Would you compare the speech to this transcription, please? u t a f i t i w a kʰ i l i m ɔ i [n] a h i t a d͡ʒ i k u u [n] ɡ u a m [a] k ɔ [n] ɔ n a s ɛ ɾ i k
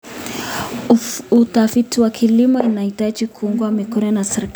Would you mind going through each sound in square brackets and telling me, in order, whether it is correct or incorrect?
correct, incorrect, incorrect, correct

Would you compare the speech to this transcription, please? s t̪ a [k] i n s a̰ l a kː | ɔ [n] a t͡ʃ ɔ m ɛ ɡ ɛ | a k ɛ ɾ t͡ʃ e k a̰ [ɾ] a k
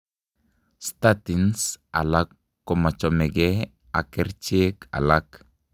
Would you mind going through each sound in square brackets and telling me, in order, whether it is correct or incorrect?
incorrect, incorrect, incorrect

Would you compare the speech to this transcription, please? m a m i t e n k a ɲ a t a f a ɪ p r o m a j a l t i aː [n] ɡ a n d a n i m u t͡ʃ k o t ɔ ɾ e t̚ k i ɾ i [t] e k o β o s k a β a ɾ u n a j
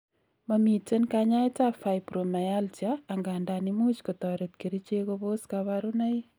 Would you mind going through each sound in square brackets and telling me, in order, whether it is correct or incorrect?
incorrect, incorrect

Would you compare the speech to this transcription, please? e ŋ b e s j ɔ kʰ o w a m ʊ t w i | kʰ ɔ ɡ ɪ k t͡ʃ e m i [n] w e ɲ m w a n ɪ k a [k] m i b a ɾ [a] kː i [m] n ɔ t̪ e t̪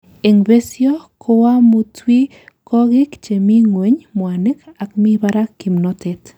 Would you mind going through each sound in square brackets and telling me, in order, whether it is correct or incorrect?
incorrect, correct, correct, correct

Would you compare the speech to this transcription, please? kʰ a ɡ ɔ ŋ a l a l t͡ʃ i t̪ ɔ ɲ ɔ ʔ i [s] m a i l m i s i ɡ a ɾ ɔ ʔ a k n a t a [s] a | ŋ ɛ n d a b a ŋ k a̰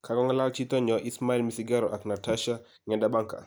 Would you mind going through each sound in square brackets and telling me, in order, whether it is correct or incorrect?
correct, incorrect

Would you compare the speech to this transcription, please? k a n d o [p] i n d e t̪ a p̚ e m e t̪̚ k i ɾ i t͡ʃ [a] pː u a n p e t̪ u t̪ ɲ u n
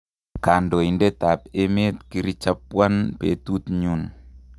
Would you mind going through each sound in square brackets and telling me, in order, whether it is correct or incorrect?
incorrect, correct

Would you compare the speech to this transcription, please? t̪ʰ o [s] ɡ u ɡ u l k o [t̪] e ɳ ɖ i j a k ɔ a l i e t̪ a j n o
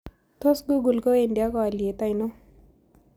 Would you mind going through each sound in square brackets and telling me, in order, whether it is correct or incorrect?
correct, incorrect

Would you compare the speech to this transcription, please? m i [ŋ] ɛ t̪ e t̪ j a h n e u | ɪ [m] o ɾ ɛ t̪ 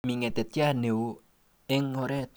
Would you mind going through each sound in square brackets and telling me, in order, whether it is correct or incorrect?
correct, incorrect

